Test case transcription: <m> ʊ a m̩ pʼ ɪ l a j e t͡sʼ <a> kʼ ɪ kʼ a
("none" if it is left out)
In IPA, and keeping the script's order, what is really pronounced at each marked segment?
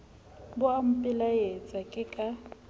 b, a

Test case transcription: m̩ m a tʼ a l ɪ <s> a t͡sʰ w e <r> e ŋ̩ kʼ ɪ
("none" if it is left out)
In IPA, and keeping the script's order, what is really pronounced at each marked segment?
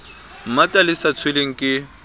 s, l

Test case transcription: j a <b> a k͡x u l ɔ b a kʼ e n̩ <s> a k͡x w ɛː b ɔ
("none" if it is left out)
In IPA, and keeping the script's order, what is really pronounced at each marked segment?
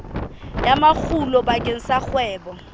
m, s

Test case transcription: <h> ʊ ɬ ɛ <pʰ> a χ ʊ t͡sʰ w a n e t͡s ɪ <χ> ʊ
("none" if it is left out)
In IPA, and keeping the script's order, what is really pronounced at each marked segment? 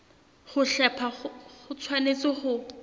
χ, pʰ, χ

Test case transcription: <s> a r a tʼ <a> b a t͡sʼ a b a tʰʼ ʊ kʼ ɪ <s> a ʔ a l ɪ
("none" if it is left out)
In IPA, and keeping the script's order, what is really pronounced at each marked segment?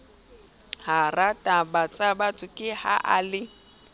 h, a, h

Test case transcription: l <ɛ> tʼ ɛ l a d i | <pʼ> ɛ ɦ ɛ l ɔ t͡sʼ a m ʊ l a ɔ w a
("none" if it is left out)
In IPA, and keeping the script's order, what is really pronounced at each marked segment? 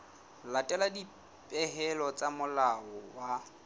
a, pʼ

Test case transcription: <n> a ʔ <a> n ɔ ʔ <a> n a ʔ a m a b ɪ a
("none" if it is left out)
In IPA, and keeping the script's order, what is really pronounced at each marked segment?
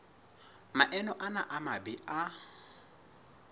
m, ɛ, a

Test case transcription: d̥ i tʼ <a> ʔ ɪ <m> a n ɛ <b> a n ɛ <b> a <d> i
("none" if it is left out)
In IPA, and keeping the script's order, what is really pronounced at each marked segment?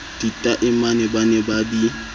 a, m, b, b, d

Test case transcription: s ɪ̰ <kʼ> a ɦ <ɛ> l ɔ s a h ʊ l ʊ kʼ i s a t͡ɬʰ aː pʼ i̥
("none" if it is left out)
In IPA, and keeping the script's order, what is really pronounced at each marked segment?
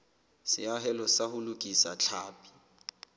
none, ɛ

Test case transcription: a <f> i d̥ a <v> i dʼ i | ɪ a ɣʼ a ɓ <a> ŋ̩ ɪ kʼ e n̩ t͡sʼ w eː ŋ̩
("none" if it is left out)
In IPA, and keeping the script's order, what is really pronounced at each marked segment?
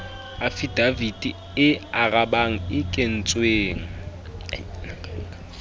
f, v, a

